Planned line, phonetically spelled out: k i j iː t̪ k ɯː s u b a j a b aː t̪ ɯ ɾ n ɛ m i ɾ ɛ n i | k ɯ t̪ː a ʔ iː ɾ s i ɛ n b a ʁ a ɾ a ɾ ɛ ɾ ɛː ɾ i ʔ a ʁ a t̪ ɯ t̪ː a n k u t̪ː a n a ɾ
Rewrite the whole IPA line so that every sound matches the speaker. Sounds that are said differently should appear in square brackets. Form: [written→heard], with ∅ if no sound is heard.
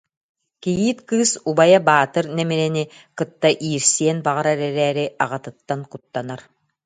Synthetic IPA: k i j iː t̪ k ɯː s u b a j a b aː t̪ ɯ ɾ n ɛ m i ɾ ɛ n i | k ɯ t̪ː a ʔ iː ɾ s i ɛ n b a ʁ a ɾ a ɾ ɛ ɾ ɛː ɾ i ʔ a ʁ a t̪ ɯ t̪ː a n k u t̪ː a n a ɾ

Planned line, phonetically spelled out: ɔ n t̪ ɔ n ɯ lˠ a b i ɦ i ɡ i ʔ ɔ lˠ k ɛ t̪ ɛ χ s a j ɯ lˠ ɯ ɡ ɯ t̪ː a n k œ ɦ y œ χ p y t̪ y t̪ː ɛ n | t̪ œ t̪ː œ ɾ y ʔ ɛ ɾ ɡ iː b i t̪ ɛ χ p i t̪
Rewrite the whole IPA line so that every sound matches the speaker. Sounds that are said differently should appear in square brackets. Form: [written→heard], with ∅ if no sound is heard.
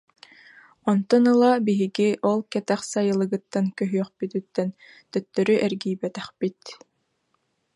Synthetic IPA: ɔ n t̪ ɔ n ɯ lˠ a b i ɦ i ɡ i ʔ ɔ lˠ k ɛ t̪ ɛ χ s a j ɯ lˠ ɯ ɡ ɯ t̪ː a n k œ ɦ y œ χ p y t̪ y t̪ː ɛ n | t̪ œ t̪ː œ ɾ y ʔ ɛ ɾ ɡ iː b [i→ɛ] t̪ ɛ χ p i t̪

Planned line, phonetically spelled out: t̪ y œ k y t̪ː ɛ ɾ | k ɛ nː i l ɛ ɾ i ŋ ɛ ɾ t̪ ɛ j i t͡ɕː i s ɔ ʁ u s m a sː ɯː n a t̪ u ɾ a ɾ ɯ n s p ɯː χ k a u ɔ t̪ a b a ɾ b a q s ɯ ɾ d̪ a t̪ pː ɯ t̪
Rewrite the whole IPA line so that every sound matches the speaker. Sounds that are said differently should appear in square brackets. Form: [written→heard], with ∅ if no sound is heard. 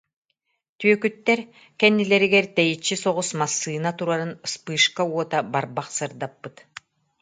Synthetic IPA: t̪ y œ k y t̪ː ɛ ɾ | k ɛ nː i l ɛ ɾ i [ŋ→ɡ] ɛ ɾ t̪ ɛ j i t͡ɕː i s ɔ ʁ u s m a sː ɯː n a t̪ u ɾ a ɾ ɯ n s p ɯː [χ→ʃ] k a u ɔ t̪ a b a ɾ b a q s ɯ ɾ d̪ a [t̪→∅] pː ɯ t̪

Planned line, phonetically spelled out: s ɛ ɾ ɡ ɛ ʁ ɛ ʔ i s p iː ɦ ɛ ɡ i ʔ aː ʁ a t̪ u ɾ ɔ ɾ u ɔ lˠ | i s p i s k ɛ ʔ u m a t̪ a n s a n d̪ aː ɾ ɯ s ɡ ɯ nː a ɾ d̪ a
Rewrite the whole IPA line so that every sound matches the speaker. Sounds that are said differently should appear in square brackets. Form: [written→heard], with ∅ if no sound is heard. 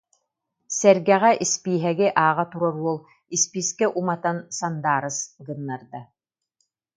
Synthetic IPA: s ɛ ɾ ɡ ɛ ʁ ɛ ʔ i s p iː ɦ ɛ ɡ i ʔ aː ʁ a t̪ u ɾ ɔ ɾ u ɔ lˠ | i s p i s k ɛ ʔ u m a t̪ a n s a n d̪ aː ɾ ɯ s ɡ ɯ nː a ɾ d̪ a

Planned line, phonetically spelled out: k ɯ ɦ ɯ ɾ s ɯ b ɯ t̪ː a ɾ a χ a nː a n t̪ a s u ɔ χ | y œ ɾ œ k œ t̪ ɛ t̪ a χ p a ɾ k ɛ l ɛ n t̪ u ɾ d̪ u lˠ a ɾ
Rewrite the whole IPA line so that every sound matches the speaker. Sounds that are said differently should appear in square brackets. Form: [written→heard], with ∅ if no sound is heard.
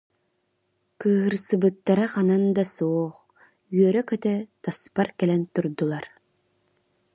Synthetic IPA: k [ɯ→ɯː] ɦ ɯ ɾ s ɯ b ɯ t̪ː a ɾ a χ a [nː→n] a n [t̪→d̪] a s u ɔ χ | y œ ɾ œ k œ t̪ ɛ t̪ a [χ→s] p a ɾ k ɛ l ɛ n t̪ u ɾ d̪ u lˠ a ɾ

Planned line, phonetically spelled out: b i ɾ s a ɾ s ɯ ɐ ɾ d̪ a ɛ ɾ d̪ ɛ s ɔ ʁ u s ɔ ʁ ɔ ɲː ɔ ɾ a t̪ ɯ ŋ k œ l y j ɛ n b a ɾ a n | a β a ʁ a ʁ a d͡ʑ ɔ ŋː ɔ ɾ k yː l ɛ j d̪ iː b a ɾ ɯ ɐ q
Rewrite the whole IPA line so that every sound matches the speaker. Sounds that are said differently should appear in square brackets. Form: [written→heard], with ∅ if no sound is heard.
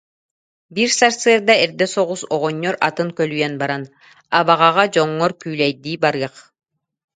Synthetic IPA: b i ɾ s a ɾ s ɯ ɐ ɾ d̪ a ɛ ɾ d̪ ɛ s ɔ ʁ u s ɔ ʁ ɔ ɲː ɔ ɾ a t̪ ɯ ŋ k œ l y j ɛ n b a ɾ a n | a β a ʁ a ʁ a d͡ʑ ɔ ŋː ɔ ɾ k yː l ɛ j d̪ iː b a ɾ ɯ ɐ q

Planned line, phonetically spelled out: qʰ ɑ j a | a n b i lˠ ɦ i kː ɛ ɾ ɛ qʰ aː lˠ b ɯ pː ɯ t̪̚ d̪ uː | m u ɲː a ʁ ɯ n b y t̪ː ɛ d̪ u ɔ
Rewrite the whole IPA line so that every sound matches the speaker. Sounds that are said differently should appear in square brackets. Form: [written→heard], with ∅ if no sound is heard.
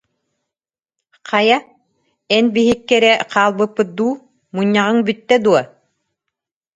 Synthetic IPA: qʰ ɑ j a | [a→ɛ] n b i [lˠ→∅] ɦ i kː ɛ ɾ ɛ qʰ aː lˠ b ɯ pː ɯ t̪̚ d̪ uː | m u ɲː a ʁ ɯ [n→ŋ] b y t̪ː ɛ d̪ u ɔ

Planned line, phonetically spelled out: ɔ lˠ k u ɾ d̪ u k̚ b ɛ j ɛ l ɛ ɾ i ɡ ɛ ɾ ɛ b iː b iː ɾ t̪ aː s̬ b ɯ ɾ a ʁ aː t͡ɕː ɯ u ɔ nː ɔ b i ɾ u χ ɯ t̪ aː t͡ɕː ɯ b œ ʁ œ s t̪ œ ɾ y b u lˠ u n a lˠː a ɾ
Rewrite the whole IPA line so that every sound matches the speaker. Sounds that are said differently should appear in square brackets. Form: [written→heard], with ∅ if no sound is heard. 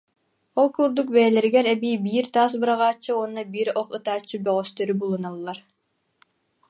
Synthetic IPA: ɔ lˠ k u ɾ d̪ u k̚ b ɛ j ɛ l ɛ ɾ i ɡ ɛ ɾ ɛ b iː b iː ɾ t̪ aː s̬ b ɯ ɾ a ʁ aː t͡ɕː ɯ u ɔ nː ɔ b i ɾ [u→ɔ] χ ɯ t̪ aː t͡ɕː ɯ b œ ʁ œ s t̪ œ ɾ y b u lˠ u n a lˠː a ɾ

